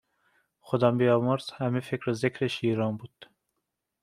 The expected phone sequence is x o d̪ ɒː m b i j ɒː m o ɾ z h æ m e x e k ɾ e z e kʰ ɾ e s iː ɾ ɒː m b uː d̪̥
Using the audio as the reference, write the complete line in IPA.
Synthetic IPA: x o d̪ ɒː m b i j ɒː m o ɾ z h æ m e f e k ɾ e z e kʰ ɾ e ʃ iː ɾ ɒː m b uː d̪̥